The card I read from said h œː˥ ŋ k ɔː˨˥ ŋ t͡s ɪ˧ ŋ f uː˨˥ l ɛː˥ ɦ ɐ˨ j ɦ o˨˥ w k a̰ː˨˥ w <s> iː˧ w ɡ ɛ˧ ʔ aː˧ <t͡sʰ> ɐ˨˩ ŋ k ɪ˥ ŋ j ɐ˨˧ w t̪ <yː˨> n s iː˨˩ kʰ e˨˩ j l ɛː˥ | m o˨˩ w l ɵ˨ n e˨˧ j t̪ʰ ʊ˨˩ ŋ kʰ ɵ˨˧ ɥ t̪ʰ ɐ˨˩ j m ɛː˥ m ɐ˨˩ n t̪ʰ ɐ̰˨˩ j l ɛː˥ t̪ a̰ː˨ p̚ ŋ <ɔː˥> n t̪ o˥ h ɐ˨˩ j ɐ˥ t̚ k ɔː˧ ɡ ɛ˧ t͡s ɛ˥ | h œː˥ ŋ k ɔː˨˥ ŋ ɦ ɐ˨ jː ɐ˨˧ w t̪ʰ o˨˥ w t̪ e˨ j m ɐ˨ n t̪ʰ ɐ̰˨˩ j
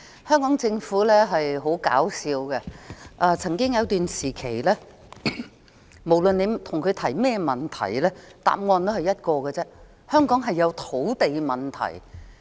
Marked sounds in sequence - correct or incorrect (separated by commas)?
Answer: correct, correct, correct, incorrect